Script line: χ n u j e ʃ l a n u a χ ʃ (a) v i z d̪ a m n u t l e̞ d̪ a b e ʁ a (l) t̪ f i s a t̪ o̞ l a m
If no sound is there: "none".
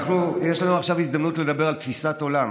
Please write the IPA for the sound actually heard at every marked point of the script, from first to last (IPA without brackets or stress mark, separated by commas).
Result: a, l